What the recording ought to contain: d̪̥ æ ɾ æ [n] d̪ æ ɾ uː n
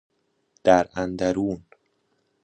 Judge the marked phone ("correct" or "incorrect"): correct